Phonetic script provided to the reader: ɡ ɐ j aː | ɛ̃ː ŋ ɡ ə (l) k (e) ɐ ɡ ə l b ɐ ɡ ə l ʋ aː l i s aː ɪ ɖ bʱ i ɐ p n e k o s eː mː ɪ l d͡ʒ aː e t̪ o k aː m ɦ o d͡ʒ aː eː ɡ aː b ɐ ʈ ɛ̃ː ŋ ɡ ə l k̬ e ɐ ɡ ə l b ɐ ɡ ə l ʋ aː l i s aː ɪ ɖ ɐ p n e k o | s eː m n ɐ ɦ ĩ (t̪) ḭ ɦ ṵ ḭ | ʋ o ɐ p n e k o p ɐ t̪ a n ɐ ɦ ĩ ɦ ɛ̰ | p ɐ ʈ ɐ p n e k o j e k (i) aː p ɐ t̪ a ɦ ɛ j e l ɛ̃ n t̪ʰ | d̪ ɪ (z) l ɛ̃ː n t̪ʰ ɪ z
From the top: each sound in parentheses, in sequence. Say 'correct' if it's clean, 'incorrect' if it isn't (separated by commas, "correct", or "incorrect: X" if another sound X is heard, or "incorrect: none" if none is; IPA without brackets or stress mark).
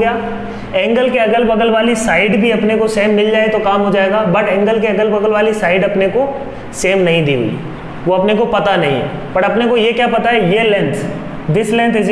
correct, correct, incorrect: d̪, incorrect: j, incorrect: s